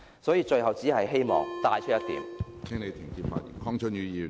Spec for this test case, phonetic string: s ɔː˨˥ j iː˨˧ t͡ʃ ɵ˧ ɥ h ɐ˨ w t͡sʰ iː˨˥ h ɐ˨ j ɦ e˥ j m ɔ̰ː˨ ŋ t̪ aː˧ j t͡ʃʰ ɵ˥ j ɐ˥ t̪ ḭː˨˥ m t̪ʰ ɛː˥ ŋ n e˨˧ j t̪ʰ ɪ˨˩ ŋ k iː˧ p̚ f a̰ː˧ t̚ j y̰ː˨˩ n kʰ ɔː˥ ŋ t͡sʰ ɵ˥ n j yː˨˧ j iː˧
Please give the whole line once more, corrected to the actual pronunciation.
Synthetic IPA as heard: s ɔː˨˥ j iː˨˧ t͡ʃ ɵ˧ ɥ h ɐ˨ w t͡s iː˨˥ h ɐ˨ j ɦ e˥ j m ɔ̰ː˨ ŋ t̪ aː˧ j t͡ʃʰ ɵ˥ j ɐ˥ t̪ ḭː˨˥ m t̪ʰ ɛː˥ ŋ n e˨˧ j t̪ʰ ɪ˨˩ ŋ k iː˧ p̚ f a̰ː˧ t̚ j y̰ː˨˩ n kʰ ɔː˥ ŋ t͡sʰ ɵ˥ n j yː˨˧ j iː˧

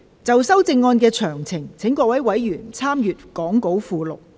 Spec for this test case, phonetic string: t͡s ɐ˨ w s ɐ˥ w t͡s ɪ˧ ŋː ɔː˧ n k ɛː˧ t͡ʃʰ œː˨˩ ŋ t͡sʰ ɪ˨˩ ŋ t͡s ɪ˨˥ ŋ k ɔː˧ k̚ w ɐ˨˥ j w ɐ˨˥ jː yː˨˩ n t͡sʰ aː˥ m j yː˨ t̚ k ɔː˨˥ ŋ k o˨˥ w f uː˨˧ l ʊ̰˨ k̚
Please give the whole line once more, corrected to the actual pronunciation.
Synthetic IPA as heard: t͡s ɐ˨ w s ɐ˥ w t͡s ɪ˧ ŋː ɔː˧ n k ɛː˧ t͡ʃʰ œː˨˩ ŋ t͡sʰ ɪ˨˩ ŋ t͡sʰ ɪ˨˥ ŋ k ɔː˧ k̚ w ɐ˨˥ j w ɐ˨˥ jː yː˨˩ n t͡sʰ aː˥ m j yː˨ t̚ k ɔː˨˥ ŋ k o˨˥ w f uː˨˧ l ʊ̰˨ k̚

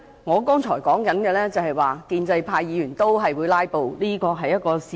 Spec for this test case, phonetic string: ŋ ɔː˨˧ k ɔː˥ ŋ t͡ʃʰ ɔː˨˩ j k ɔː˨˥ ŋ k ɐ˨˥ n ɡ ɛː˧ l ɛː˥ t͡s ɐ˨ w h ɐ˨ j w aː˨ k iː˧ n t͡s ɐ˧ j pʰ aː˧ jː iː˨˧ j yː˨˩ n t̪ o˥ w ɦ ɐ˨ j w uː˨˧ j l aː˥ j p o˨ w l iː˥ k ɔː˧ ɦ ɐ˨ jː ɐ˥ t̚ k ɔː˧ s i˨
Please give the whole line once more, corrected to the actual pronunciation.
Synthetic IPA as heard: ŋ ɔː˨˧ k ɔː˥ ŋ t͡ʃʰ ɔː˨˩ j k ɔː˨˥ ŋ k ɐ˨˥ n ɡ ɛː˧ l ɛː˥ t͡s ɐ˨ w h ɐ˨ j w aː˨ k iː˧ n t͡s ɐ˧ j pʰ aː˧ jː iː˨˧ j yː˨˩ n t̪ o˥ w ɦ ɐ˨ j w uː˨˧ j l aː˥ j p o˨ w l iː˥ k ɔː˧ ɦ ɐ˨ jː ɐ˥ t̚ k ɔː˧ s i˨

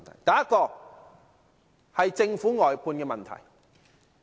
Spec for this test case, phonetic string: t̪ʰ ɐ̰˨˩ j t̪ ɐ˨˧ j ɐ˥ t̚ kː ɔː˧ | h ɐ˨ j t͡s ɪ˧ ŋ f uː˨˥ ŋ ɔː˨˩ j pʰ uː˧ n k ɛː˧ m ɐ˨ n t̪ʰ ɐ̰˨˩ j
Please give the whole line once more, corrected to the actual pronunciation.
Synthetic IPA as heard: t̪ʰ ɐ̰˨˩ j t̪ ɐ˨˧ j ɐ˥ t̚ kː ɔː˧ | h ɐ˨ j t͡s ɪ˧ ŋ f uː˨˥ ŋ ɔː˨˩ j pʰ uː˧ n k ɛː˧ m ɐ˨ n t̪ʰ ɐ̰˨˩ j

